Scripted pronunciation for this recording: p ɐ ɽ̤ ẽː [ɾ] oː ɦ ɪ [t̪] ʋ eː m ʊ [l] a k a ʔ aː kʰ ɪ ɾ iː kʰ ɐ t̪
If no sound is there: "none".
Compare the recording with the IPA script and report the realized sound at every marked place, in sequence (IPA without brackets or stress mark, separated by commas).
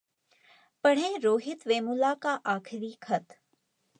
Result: ɾ, t̪, l